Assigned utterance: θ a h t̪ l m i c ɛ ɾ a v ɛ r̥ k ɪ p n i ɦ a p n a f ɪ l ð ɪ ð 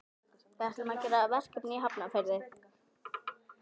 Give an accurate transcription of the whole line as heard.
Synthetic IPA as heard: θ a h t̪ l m a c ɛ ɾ a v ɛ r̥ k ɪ p n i ɦ a p n a f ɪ ɾ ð ɪ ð